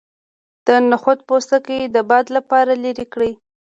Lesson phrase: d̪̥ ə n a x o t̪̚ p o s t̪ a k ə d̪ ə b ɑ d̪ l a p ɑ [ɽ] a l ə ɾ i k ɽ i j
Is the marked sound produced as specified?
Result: no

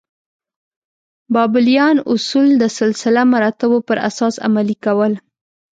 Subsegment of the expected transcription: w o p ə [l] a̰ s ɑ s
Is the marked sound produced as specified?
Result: no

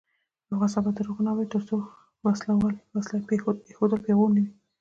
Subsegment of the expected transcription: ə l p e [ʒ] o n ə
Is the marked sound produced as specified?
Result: no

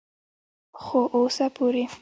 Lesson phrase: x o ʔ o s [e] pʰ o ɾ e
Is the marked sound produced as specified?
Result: no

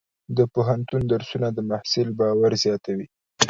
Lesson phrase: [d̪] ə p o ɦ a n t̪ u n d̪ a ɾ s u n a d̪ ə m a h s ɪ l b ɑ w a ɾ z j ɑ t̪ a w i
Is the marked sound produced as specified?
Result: yes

